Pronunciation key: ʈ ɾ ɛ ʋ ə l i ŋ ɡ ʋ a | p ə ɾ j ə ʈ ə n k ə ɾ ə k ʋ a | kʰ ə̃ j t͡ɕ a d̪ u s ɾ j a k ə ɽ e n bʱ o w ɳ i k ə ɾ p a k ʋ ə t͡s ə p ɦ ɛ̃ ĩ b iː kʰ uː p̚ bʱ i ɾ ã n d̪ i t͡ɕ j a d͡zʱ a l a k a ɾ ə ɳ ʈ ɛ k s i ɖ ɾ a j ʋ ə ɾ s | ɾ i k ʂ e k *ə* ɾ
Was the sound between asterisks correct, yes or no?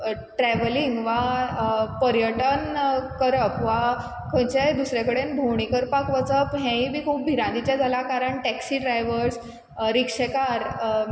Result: no